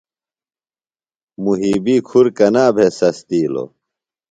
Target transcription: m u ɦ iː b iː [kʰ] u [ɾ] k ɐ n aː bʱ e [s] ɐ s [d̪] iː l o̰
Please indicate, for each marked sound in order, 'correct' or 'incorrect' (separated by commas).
correct, correct, correct, incorrect